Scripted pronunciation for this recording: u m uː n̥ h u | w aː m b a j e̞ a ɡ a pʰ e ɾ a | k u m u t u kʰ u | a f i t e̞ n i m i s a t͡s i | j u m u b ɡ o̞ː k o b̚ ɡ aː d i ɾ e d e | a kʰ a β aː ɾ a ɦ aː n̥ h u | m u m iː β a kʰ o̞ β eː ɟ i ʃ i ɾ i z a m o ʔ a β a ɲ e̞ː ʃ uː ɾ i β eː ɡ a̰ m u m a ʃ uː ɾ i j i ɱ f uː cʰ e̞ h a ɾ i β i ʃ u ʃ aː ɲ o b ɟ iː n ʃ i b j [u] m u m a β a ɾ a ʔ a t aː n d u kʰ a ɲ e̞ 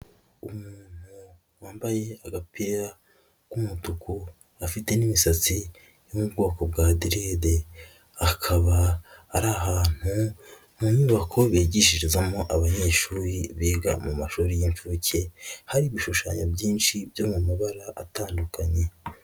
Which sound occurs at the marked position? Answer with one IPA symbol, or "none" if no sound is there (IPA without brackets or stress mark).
o